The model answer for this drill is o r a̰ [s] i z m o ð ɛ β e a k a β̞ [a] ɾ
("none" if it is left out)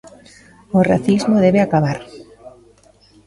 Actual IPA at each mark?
θ, a

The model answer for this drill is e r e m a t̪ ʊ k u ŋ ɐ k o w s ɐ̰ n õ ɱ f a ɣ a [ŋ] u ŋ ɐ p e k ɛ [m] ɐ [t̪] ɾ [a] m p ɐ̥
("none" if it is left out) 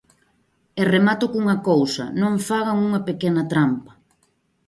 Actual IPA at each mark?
ŋ, n, t̪, a

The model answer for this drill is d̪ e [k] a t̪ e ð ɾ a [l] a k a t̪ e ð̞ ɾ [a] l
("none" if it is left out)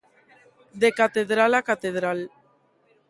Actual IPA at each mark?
k, l, a

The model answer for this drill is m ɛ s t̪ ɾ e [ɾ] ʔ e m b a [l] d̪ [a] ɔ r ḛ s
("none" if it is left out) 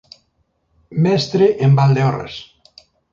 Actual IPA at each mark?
none, l, e

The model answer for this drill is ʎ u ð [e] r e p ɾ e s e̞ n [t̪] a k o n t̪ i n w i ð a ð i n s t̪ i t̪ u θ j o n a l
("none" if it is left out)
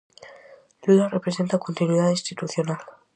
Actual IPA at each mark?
a, t̪

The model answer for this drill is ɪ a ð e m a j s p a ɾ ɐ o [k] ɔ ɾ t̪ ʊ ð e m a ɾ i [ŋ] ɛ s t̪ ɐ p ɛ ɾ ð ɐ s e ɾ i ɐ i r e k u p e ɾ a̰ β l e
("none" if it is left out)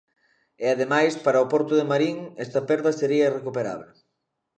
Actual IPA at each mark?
p, ŋ

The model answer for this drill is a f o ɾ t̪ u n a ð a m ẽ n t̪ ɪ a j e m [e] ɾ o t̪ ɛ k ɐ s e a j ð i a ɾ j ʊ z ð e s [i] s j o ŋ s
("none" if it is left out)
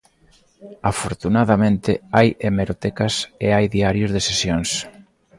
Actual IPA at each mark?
e, e

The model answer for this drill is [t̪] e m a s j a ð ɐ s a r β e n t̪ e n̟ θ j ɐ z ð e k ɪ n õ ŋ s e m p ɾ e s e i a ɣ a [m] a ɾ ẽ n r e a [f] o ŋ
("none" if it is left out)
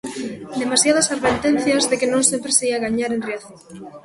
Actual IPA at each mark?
d̪, ɲ, θ

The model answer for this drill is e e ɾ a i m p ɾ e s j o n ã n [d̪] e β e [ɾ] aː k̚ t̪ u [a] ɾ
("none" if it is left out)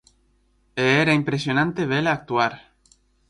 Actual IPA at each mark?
t̪, l, a

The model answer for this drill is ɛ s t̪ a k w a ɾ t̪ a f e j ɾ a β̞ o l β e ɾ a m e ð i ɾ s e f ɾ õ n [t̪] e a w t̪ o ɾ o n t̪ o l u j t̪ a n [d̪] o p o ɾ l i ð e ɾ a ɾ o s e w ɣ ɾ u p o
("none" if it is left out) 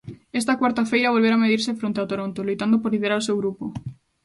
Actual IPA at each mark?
t̪, d̪

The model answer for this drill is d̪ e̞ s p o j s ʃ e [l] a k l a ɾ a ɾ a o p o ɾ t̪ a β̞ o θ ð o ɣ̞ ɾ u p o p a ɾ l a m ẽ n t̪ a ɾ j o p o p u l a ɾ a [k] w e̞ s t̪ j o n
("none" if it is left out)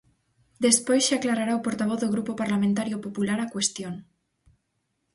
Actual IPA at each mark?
none, k

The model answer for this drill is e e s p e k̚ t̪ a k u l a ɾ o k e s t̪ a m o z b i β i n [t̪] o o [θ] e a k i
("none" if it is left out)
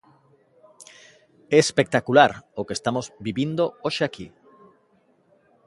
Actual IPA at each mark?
d̪, ʃ

